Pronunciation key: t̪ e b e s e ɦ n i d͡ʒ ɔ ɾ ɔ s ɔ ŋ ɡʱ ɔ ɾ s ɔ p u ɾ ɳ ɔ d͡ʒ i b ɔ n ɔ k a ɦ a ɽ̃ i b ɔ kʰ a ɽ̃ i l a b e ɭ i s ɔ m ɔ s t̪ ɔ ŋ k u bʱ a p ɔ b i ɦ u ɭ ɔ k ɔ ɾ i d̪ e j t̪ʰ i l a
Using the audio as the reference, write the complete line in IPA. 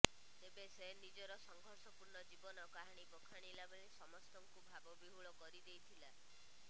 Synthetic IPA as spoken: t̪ e b e s e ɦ n i d͡ʒ ɔ ɾ ɔ s ɔ ŋ ɡʱ ɔ ɾ s ɔ p u ɾ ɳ ɔ d͡ʒ i b ɔ n ɔ k a ɦ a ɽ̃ i b ɔ kʰ a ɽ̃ i l a b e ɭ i s ɔ m ɔ s t̪ ɔ ŋ k u bʱ a b ɔ b i ɦ u ɭ ɔ k ɔ ɾ i d̪ e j t̪ʰ i l a